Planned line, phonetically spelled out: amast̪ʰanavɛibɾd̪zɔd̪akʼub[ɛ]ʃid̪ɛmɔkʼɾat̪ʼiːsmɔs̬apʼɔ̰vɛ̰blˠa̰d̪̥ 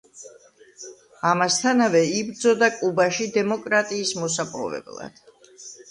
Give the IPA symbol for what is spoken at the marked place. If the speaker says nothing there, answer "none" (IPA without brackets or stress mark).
a